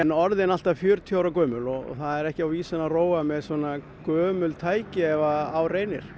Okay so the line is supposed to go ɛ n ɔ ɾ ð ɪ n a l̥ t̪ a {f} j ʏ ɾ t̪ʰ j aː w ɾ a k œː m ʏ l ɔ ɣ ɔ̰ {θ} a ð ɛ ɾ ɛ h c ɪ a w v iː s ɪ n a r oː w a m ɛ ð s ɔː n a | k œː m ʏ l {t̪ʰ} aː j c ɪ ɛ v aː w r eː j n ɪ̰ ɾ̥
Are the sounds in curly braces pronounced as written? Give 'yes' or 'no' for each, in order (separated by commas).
yes, yes, yes